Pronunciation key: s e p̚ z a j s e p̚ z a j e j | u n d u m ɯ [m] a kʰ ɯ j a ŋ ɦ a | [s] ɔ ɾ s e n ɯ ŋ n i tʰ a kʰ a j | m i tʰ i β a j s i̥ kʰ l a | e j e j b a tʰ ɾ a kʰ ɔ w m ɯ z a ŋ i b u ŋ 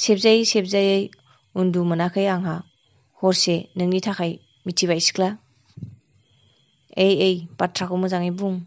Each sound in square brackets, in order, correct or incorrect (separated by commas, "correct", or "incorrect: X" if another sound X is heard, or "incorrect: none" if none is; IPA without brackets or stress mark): incorrect: n, incorrect: h